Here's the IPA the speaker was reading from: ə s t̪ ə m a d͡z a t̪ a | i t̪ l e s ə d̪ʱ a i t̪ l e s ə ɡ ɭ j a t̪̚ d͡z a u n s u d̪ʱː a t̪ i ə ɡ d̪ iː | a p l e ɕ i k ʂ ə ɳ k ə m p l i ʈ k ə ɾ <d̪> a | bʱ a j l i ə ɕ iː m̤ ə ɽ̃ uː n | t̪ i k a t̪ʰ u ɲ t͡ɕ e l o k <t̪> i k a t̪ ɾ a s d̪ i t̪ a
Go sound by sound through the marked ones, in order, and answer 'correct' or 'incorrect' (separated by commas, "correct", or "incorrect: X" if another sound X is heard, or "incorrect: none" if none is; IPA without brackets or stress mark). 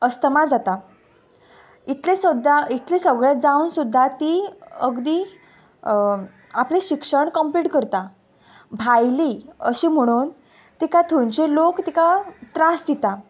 incorrect: t̪, correct